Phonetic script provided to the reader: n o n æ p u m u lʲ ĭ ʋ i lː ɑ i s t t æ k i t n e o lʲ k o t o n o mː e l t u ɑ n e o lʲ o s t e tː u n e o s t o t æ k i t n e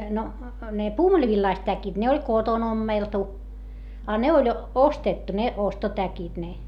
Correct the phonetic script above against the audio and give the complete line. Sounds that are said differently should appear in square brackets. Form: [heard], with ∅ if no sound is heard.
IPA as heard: n o n [e] p [uː] m u lʲ ĭ ʋ i lː ɑ i s t t æ k i t n e o lʲ k o t o n o mː e l t u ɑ n e o lʲ o s t e tː u n e o s t o t æ k i t n e